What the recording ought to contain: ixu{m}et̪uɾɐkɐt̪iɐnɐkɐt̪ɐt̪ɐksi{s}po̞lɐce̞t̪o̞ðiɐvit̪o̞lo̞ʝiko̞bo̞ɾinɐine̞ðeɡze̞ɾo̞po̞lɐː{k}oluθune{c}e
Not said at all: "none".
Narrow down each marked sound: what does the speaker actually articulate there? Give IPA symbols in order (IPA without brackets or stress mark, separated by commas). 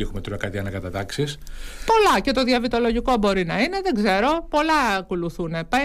m, s, k, p